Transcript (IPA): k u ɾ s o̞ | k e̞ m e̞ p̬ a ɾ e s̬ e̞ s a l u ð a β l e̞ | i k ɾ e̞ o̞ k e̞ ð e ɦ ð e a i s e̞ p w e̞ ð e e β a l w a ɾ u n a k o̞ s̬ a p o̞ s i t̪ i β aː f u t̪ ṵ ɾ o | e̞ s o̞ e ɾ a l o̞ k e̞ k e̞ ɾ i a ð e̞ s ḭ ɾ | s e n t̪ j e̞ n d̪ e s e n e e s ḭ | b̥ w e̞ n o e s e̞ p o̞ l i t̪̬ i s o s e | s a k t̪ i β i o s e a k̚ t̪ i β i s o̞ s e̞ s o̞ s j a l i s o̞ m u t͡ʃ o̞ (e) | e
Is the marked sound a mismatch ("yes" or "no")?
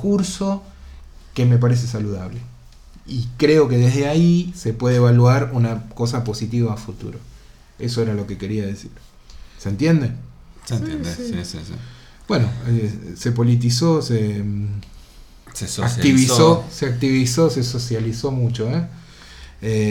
no